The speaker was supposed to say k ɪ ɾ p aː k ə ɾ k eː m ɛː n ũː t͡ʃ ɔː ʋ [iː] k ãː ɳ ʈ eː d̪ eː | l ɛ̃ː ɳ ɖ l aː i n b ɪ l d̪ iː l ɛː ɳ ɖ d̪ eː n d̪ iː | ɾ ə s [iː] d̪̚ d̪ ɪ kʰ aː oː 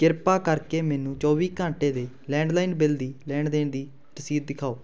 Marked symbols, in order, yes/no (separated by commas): yes, yes